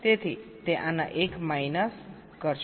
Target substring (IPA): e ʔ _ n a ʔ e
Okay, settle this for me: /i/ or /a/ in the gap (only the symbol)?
a